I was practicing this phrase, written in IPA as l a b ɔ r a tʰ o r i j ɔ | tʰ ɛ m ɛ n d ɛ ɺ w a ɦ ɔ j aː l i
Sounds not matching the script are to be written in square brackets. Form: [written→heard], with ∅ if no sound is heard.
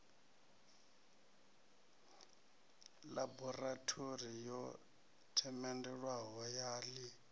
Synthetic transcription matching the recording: l a b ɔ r a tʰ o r i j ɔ | tʰ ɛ m ɛ n d ɛ ɺ w a ɦ ɔ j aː l i